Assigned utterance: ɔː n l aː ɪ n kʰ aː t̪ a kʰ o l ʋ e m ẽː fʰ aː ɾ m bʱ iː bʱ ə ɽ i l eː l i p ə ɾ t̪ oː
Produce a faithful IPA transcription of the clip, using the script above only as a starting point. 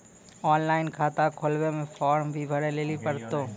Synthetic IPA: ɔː n l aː ɪ n kʰ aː t̪ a kʰ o l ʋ e m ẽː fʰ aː ɾ m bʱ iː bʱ ə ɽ e l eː l i p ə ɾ t̪ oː